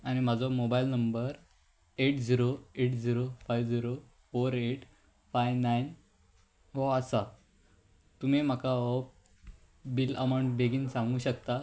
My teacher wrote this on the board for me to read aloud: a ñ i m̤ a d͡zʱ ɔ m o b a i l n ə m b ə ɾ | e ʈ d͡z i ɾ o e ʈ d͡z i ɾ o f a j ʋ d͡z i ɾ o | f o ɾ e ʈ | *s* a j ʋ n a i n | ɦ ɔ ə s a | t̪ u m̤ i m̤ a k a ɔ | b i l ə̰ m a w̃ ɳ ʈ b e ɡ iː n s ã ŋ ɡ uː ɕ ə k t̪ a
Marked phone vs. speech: incorrect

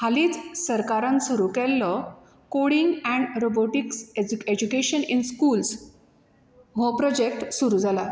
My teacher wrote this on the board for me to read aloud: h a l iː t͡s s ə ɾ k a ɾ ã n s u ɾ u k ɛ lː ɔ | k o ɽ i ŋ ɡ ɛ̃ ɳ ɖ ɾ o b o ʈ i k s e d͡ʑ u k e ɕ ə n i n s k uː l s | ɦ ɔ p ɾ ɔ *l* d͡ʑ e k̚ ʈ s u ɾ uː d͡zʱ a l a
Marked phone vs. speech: incorrect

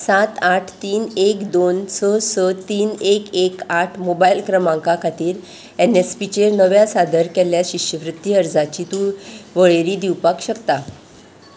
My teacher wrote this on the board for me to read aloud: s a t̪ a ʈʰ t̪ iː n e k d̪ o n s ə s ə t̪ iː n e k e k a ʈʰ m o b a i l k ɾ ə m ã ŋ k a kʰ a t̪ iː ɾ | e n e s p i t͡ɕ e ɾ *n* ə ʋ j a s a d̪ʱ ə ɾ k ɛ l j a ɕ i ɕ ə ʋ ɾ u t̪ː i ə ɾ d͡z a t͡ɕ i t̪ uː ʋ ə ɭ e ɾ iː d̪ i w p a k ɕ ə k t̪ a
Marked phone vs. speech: correct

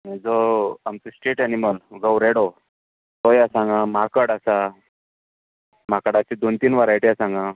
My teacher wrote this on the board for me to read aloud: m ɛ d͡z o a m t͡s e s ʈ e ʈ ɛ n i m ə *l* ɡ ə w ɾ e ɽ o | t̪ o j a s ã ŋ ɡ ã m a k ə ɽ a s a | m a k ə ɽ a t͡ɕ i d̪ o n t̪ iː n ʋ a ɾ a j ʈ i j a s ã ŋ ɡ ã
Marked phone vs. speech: correct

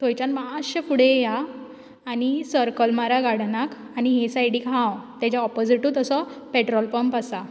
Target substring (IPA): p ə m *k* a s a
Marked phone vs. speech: incorrect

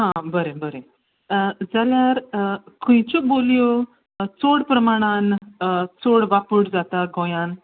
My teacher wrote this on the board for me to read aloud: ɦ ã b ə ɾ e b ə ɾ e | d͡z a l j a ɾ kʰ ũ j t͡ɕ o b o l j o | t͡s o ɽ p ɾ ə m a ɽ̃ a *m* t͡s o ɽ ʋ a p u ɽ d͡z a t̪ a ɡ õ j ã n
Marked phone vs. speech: incorrect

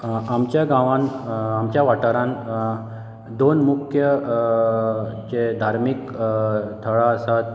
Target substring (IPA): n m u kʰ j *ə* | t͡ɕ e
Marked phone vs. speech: correct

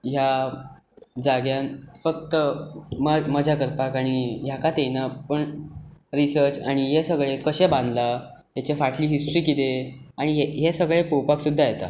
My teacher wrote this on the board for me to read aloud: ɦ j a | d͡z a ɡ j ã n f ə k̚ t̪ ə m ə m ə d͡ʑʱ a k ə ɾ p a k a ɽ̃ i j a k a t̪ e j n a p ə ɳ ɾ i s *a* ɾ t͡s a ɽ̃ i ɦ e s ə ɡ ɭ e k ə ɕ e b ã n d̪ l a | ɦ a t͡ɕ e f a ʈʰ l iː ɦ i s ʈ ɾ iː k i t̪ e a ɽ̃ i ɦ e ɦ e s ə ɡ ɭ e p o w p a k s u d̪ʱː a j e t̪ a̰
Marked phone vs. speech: incorrect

